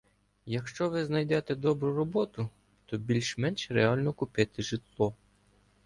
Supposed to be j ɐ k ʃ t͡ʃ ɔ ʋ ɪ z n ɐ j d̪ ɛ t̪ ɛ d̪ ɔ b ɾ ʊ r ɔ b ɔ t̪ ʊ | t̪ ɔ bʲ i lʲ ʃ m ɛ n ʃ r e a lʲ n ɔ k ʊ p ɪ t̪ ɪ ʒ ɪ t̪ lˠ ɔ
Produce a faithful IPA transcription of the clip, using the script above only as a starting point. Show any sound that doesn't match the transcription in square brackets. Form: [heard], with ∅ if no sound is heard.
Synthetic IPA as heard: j ɐ k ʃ t͡ʃ ɔ ʋ ɪ z n ɐ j d̪ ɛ t̪ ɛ d̪ ɔ b ɾ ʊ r ɔ b ɔ t̪ ʊ | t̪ ɔ bʲ i lʲ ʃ m ɛ n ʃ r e a lʲ n ɔ k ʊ p ɪ t̪ ɪ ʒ ɪ t̪ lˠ ɔ